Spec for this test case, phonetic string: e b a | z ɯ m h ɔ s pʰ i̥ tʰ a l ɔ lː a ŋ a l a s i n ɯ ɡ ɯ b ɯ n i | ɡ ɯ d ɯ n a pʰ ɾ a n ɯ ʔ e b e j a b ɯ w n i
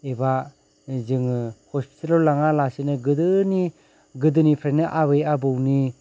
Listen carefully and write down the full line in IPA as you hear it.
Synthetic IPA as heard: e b a | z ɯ ŋ h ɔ s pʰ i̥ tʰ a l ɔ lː a ŋ a l a s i n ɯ ɡ ɯ d ɯ n i | ɡ ɯ d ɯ n i pʰ ɾ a n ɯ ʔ a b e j a b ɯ w n i

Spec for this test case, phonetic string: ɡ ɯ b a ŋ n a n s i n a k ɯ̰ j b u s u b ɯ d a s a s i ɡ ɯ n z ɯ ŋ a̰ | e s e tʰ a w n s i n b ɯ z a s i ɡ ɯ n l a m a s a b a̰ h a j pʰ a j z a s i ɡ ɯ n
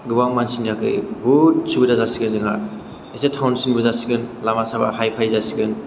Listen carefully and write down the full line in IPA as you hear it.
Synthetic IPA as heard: ɡ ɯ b a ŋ m a n s i n a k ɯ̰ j b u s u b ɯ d a z a s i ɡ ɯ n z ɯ ŋ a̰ | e s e tʰ a w n s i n b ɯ z a s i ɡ ɯ n l a m a s a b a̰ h a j pʰ a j z a s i ɡ ɯ n

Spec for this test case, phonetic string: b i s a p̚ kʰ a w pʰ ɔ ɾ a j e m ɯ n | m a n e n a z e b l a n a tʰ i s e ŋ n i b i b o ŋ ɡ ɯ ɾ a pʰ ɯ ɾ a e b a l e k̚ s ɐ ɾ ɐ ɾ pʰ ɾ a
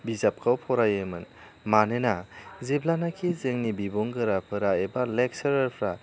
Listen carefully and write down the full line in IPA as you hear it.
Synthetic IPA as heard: b i z a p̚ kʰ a w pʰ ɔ ɾ a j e m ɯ n | m a n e n a z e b l a n a kʰ i z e ŋ n i b i b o ŋ ɡ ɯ ɾ a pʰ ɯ ɾ a e b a l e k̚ s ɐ ɾ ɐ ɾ pʰ ɾ a

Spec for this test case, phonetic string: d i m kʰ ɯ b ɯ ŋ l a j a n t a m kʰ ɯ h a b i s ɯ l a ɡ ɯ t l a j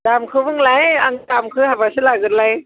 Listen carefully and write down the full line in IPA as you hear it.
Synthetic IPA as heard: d a m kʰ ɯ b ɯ ŋ l a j a ŋ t a m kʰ ɯ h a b a s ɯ l a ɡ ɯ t l a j

